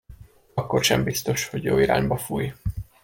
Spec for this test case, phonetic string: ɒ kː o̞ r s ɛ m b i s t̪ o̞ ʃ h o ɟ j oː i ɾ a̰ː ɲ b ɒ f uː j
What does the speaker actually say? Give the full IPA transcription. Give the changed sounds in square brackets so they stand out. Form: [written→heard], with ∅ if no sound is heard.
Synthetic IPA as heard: ɒ kː o̞ r [s→ʃ] ɛ m b i s t̪ o̞ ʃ h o ɟ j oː i ɾ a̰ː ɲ b ɒ f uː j